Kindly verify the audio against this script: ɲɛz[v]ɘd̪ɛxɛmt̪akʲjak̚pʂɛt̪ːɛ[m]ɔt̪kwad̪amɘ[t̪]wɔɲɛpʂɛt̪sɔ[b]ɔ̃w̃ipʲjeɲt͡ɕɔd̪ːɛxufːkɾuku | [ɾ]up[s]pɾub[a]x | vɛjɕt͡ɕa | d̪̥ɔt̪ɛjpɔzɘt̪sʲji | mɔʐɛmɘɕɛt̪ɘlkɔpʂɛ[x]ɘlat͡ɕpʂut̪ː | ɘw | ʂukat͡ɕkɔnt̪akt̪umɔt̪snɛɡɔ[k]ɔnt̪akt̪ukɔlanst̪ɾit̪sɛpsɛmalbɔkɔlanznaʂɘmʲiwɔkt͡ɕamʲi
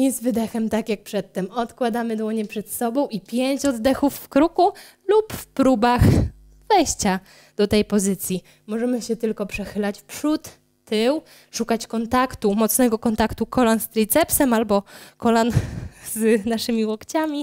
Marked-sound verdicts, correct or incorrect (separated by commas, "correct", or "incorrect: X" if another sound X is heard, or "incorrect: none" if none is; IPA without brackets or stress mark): correct, correct, incorrect: d̪, correct, incorrect: l, incorrect: f, correct, correct, correct